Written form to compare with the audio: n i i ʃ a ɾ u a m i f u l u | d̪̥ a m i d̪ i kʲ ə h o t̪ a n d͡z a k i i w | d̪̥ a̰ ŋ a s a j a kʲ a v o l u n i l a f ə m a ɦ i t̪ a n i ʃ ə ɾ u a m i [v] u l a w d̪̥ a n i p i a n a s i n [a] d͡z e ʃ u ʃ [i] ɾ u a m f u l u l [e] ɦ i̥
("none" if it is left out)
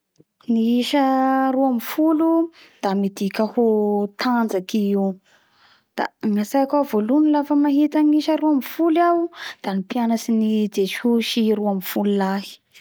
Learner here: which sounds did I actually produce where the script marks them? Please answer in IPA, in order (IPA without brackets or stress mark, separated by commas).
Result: f, i, i, a